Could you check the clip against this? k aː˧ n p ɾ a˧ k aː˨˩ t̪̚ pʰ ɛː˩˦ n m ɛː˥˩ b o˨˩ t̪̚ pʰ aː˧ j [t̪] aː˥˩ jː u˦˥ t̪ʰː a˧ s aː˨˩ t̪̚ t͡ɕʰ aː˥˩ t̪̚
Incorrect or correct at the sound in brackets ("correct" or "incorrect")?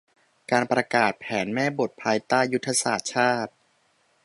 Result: correct